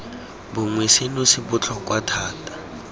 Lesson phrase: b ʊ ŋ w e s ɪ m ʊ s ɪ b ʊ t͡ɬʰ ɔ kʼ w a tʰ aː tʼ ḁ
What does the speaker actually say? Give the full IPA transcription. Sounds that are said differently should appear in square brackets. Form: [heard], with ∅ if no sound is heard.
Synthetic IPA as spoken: b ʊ ŋ w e s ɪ [n] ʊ s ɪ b ʊ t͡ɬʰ ɔ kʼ w a tʰ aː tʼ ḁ